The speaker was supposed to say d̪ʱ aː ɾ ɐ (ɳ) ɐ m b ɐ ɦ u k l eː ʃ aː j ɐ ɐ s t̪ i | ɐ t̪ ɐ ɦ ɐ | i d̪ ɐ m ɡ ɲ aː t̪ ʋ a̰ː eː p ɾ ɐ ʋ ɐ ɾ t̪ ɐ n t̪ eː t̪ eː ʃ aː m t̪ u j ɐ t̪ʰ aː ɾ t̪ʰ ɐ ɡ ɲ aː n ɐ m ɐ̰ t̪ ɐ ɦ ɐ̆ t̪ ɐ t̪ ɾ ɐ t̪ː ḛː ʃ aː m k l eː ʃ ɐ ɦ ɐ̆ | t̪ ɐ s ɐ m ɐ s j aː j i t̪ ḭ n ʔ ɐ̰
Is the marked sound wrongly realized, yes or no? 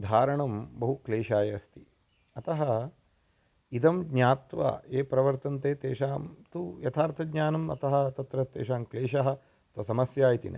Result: no